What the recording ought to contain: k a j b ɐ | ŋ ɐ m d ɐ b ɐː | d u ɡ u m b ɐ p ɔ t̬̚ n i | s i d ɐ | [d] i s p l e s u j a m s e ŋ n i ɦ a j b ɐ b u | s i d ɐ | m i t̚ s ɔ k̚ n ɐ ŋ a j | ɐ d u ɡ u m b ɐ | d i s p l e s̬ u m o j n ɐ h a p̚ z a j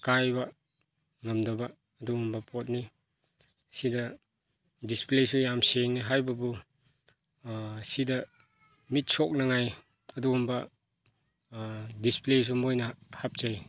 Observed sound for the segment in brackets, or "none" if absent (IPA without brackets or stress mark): d